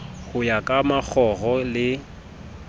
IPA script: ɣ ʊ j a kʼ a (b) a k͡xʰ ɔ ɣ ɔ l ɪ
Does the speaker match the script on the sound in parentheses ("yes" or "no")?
no